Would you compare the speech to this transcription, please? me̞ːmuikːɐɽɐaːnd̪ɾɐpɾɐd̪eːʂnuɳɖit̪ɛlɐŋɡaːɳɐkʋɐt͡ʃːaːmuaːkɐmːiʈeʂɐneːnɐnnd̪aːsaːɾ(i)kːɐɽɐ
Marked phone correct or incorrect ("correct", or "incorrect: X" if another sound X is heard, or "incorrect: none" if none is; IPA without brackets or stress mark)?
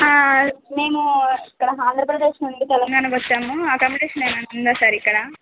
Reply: correct